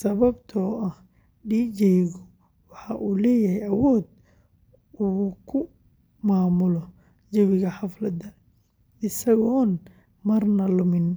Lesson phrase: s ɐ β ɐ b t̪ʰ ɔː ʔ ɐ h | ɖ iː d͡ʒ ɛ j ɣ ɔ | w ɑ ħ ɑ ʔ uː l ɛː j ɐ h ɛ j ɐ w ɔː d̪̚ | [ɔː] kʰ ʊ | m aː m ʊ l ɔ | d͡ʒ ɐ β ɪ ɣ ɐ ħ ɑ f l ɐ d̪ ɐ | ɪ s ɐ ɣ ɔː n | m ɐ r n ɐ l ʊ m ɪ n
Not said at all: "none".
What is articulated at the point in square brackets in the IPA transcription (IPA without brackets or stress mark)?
uː